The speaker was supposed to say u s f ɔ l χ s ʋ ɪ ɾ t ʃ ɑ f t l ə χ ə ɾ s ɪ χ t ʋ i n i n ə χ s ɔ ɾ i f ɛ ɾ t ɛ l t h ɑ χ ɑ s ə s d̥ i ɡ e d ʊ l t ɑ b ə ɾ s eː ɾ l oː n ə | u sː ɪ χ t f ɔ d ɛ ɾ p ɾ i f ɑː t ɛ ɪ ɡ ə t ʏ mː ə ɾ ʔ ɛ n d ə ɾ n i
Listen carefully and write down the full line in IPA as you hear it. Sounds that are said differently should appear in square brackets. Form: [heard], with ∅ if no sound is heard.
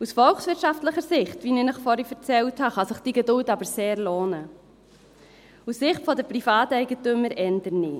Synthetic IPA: u s f ɔ l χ s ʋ ɪ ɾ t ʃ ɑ f t l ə χ ə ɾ s ɪ χ t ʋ i n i n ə χ [f] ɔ ɾ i f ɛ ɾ [t͡s] ɛ l t h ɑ χ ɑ s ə [χ] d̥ i ɡ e d ʊ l t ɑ b ə ɾ s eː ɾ l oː n ə | u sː ɪ χ t f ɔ d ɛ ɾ p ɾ i f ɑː t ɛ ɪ ɡ ə t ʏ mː ə ɾ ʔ ɛ n d ə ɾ n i